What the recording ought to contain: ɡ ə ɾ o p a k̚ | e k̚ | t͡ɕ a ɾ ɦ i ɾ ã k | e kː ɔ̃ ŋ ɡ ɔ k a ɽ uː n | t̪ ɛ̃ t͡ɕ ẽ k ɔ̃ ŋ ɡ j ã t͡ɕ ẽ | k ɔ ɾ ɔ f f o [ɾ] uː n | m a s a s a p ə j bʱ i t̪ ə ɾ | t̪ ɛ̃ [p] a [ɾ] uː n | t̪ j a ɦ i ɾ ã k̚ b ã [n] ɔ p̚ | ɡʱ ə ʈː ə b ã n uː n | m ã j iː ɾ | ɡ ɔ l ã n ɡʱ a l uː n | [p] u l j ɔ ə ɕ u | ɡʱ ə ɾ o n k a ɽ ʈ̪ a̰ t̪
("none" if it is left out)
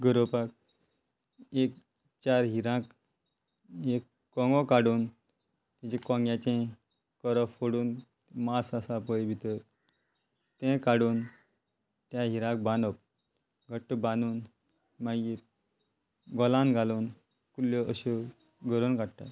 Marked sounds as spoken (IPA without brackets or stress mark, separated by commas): ɽ, k, ɽ, n, k